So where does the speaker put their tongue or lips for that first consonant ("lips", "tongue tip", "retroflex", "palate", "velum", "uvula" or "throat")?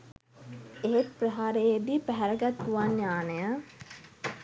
throat